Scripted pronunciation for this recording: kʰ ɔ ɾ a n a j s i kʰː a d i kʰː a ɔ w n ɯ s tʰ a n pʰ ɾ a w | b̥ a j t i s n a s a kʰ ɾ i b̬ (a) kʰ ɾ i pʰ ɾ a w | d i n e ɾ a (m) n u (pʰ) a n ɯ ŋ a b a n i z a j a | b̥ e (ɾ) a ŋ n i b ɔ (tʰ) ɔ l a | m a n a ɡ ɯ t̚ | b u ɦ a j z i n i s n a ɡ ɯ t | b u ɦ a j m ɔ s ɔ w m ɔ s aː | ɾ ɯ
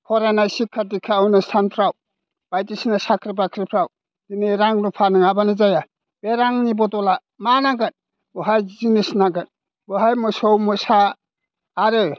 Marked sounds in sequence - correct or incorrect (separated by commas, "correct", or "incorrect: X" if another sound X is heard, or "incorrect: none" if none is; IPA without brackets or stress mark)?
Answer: correct, incorrect: ŋ, correct, correct, incorrect: t